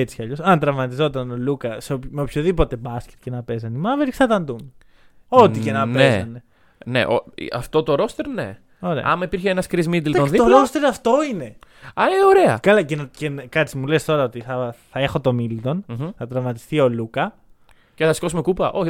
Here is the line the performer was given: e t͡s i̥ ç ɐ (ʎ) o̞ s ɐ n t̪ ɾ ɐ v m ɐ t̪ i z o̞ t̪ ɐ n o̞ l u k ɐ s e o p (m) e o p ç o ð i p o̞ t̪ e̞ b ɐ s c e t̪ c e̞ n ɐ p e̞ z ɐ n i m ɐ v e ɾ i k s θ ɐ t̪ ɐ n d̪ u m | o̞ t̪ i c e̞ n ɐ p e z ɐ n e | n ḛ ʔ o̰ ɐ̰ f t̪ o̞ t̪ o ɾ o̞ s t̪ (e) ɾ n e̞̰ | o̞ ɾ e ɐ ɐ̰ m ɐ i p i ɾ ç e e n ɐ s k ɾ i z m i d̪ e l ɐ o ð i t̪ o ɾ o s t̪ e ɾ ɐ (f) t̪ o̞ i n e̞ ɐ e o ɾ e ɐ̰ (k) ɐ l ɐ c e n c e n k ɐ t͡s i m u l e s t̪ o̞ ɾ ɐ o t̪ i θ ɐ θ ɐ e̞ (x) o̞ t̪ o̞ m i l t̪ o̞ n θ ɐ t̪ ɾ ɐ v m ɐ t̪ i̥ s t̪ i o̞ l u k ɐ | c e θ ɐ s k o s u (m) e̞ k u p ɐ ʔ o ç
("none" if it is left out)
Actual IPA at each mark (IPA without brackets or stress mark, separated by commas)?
ʎ, m, e, f, k, x, m